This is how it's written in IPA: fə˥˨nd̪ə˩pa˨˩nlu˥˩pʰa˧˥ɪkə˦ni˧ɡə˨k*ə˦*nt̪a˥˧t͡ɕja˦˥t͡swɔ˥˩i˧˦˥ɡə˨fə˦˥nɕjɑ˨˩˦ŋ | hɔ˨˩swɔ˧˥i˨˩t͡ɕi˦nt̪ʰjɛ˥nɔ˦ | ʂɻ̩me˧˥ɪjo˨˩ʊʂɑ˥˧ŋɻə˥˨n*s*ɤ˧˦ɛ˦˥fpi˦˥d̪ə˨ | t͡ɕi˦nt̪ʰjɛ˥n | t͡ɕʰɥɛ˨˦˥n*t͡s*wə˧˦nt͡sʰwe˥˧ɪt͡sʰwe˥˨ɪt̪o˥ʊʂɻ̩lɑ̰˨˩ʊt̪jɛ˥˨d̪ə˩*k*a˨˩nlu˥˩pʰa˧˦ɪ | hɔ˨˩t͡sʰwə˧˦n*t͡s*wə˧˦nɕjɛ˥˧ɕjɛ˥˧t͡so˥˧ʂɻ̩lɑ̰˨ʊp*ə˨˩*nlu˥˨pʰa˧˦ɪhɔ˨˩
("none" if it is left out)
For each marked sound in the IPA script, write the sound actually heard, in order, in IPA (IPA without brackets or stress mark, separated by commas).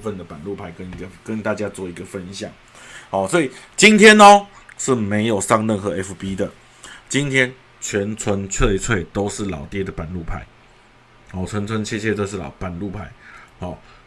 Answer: ə˦, x, t͡sʰ, p, t͡sʰ, a˨˩